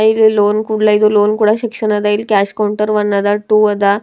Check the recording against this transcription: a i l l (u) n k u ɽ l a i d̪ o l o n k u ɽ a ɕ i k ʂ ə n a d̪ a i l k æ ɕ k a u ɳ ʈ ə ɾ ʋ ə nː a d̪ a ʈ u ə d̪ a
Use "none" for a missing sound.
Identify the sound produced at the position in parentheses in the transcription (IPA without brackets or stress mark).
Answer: o